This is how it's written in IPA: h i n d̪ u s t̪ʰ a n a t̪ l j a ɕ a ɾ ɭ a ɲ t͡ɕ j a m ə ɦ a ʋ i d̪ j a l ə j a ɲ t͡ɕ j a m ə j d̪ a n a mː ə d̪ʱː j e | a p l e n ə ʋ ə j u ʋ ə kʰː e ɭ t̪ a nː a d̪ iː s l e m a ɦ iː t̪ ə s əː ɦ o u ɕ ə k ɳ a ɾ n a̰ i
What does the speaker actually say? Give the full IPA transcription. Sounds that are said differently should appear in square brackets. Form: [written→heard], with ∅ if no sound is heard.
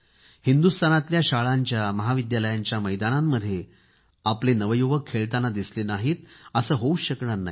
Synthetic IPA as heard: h i n d̪ u s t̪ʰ a n a t̪ l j a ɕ a [ɾ→∅] ɭ a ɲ t͡ɕ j a m ə ɦ a ʋ i d̪ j a l ə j a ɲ t͡ɕ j a m ə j d̪ a n a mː ə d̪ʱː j e | a p l e n ə ʋ ə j u ʋ ə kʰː e ɭ t̪ a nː a d̪ [iː→i] s l e [m→n] a ɦ iː t̪ ə s əː ɦ o u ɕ ə k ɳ a ɾ n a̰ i

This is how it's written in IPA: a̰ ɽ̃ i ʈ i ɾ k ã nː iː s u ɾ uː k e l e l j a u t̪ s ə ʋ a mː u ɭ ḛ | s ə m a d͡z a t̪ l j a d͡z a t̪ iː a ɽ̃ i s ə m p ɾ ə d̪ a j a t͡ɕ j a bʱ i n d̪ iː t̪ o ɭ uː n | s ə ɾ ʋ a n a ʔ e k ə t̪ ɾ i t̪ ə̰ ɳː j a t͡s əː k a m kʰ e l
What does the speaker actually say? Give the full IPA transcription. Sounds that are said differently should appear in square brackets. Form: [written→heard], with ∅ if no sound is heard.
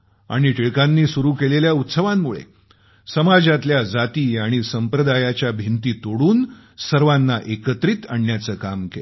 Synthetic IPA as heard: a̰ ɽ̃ i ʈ i [ɾ→ɭ] k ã nː iː s u ɾ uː k e l e l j a u t̪ s ə ʋ a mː u ɭ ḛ | s ə m a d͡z a t̪ l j a d͡z a t̪ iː a ɽ̃ i s ə m p ɾ ə d̪ a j a t͡ɕ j a bʱ i n [d̪→t̪] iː t̪ o [ɭ→ɽ] uː n | s ə ɾ ʋ a [n→nː] a ʔ e k ə t̪ ɾ i t̪ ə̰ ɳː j a t͡s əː k a m [kʰ→k] e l

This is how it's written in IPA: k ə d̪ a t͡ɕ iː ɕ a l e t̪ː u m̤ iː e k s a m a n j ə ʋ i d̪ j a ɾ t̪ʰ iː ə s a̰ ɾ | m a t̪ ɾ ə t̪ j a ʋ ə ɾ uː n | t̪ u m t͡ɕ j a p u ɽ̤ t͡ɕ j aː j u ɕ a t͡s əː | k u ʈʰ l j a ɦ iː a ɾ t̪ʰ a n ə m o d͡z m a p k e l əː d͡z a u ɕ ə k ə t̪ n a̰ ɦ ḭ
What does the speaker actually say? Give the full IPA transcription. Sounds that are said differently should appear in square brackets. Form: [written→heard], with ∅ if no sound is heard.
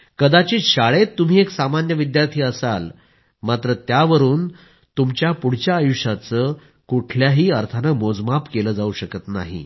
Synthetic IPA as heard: k ə d̪ a t͡ɕ iː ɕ a [l→ɭ] e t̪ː u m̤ iː e k s a m a n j ə ʋ i d̪ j a ɾ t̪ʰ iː ə s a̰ [ɾ→l] | m a t̪ ɾ ə t̪ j a ʋ ə ɾ uː n | t̪ u m t͡ɕ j a p u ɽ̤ t͡ɕ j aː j u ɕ a t͡s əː | k u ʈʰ l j a ɦ iː [a→ə] ɾ t̪ʰ a n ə m o d͡z m a p k e l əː d͡z a u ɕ ə k ə t̪ n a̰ ɦ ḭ

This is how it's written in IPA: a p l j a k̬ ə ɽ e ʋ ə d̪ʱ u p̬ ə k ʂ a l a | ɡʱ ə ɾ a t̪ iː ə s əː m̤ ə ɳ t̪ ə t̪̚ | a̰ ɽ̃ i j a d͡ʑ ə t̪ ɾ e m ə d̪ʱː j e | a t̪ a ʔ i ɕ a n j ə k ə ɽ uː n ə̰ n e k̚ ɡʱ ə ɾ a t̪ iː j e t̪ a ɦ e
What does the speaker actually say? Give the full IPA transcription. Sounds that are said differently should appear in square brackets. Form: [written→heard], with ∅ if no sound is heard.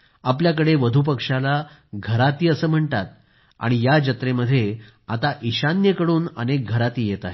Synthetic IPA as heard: a p l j a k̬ ə ɽ e ʋ ə d̪ʱ u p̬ ə k ʂ a l a | ɡʱ ə ɾ a t̪ iː ə s əː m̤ ə ɳ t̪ [ə→a] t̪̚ | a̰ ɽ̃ i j a d͡ʑ ə t̪ ɾ e m ə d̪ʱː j e | a t̪ a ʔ i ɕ a n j ə k ə ɽ uː n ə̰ n e k̚ ɡʱ ə ɾ a t̪ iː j e t̪ a ɦ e

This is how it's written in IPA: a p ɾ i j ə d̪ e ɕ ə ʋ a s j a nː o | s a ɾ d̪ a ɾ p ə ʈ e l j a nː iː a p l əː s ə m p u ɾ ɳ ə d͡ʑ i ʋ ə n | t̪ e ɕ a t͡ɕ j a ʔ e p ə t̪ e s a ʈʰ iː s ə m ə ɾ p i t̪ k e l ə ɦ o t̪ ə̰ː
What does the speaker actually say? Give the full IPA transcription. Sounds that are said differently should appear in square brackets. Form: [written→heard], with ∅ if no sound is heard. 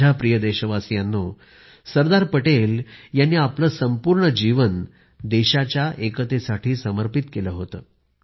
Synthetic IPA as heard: a p ɾ i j ə d̪ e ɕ ə ʋ a s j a nː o | s [a→ə] ɾ d̪ a ɾ p ə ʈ e l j a nː iː a p l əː s ə m p u ɾ ɳ ə d͡ʑ i ʋ ə n | [t̪→d̪] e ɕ a t͡ɕ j a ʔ e [p→k] ə t̪ e s a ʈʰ iː s ə m ə ɾ p i t̪ k e l ə ɦ o t̪ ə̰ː

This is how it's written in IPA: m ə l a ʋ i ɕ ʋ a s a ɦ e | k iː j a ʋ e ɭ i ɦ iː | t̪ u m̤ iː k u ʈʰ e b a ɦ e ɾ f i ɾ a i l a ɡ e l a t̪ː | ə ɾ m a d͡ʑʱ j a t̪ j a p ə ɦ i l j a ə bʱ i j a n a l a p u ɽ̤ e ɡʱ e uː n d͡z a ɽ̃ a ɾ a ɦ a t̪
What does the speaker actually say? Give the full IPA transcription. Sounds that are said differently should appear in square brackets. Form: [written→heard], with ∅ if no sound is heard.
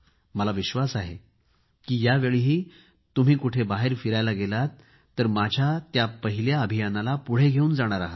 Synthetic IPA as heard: m ə l a ʋ i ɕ ʋ a s a ɦ e | k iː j a ʋ e ɭ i ɦ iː | t̪ u m̤ iː k u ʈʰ e b a ɦ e ɾ f i ɾ a [i→j] l a ɡ e l a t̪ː | ə ɾ m a d͡ʑʱ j a t̪ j a p ə ɦ i l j a ə bʱ i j a n a l a p u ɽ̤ e ɡʱ e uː n d͡z a ɽ̃ a ɾ a ɦ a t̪

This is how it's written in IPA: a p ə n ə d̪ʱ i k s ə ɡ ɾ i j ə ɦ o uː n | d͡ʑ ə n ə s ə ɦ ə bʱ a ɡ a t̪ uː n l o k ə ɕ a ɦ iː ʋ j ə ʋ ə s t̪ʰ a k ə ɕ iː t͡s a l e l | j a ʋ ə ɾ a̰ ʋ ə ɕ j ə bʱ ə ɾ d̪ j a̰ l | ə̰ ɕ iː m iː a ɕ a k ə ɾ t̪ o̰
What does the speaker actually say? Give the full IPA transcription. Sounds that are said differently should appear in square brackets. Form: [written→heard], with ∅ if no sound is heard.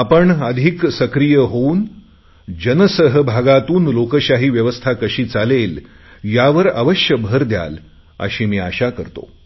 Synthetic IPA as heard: a p ə [n→ɳ] ə d̪ʱ i k s ə [ɡ→k] ɾ i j ə ɦ o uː n | d͡ʑ ə n ə s ə ɦ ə bʱ a ɡ a t̪ uː n l o k ə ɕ a ɦ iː ʋ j ə ʋ ə s t̪ʰ a k ə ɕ iː t͡s a l e l | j a ʋ ə ɾ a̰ ʋ ə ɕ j ə bʱ ə ɾ d̪ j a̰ l | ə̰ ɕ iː m iː a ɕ a k ə ɾ t̪ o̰

